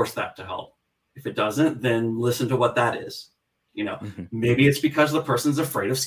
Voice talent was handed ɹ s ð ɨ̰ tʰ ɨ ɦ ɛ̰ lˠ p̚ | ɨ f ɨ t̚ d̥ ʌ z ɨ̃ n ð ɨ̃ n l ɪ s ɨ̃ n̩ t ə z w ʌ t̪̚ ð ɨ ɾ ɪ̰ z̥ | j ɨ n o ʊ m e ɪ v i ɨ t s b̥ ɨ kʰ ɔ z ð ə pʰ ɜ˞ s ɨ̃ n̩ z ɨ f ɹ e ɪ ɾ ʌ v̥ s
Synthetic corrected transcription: ɹ s ð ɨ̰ tʰ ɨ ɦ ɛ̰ lˠ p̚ | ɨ f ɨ t̚ d̥ ʌ z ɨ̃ n ð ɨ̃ n l ɪ s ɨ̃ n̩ t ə w ʌ t̪̚ ð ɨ ɾ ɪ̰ z̥ | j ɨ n o ʊ m e ɪ b i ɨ t s b̥ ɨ kʰ ʌ z ð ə pʰ ɜ˞ s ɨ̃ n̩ z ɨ f ɹ e ɪ ɾ ʌ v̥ s